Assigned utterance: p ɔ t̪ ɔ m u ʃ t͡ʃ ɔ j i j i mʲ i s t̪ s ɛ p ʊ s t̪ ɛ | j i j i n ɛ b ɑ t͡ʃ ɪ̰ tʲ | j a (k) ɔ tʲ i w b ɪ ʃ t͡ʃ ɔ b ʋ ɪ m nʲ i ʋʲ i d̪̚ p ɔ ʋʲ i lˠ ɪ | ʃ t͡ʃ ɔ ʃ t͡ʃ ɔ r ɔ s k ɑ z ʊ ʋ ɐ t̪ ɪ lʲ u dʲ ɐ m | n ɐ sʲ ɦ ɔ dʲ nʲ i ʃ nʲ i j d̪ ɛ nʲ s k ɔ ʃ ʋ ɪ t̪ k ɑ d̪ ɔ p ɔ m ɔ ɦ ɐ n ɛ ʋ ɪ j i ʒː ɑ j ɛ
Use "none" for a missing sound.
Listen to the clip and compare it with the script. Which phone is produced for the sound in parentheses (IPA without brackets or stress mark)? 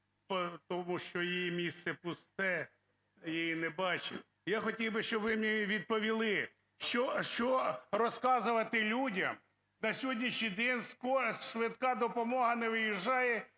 x